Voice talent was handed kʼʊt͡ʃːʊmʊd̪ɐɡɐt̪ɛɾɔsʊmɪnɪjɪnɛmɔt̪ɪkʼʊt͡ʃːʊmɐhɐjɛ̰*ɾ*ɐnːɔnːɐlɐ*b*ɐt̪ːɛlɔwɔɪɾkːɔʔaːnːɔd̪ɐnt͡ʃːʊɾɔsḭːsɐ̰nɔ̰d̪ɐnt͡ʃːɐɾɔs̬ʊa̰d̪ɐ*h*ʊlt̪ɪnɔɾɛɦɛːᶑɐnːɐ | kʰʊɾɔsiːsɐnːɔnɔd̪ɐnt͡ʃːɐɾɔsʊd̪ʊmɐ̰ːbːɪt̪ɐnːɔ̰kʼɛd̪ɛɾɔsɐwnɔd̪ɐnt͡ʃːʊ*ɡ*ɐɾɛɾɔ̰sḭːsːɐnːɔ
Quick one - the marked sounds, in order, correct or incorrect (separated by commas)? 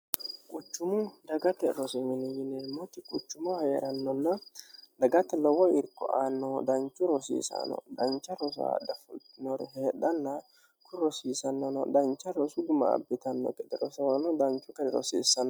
correct, incorrect, incorrect, incorrect